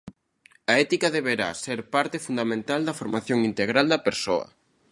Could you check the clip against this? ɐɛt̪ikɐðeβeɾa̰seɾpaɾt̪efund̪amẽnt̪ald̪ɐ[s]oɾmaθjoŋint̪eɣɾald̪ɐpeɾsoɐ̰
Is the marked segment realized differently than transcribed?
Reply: yes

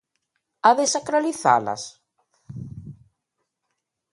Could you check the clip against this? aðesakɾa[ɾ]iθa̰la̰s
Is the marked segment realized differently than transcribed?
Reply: yes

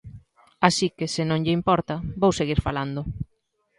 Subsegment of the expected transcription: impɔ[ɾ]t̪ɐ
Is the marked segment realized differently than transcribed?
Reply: no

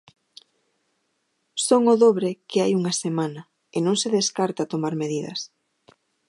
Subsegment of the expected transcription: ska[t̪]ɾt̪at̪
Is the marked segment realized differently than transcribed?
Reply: yes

